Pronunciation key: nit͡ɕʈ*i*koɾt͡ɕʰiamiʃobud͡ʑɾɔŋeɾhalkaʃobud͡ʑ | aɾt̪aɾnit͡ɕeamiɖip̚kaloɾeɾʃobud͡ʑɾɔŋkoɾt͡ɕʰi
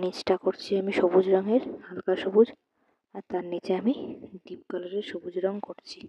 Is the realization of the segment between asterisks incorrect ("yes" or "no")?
yes